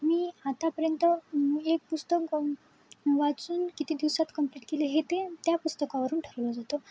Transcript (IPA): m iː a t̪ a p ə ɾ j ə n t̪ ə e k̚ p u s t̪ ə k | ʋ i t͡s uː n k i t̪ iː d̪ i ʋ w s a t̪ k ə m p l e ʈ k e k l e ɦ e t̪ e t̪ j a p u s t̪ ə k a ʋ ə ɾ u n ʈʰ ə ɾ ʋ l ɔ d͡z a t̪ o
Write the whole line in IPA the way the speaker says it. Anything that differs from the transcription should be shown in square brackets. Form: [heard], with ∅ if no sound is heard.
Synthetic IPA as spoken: m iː a t̪ a p ə ɾ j ə n t̪ ə e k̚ p u s t̪ ə k | ʋ [a] t͡s uː n k i t̪ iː d̪ i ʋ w s a t̪ k ə m p l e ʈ k e [∅] l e ɦ e t̪ e t̪ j a p u s t̪ ə k a ʋ ə ɾ [uː] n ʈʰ ə ɾ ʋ l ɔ d͡z a t̪ o